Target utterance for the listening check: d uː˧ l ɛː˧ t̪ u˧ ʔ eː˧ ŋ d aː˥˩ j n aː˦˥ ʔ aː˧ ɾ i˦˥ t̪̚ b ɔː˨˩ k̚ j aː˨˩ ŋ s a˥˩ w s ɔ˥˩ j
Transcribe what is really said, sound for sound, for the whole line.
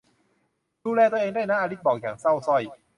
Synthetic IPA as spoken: d uː˧ l ɛː˧ t̪ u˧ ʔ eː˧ ŋ d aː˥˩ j n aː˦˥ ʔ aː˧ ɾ i˦˥ t̪̚ b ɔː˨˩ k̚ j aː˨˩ ŋ s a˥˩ w s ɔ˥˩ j